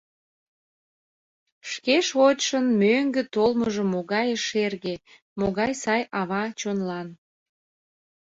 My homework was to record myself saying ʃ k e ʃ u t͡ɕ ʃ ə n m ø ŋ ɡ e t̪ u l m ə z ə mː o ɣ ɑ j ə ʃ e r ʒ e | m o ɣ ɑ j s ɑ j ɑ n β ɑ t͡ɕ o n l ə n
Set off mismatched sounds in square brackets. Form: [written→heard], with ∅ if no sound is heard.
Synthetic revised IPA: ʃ k e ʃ [u→o] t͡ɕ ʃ ə n m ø ŋ ɡ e t̪ [u→o] l m ə [z→ʒ] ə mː o ɣ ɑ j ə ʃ e r [ʒ→ɣ] e | m o ɣ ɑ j s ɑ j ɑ [n→∅] β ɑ t͡ɕ o n l [ə→ɑ] n